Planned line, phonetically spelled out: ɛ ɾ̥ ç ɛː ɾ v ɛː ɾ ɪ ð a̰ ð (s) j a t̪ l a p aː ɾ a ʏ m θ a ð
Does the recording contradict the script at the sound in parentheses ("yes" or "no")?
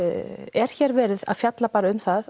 yes